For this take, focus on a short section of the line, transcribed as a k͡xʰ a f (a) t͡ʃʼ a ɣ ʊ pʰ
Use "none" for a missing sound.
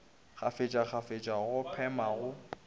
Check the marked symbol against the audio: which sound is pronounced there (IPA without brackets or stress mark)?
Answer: e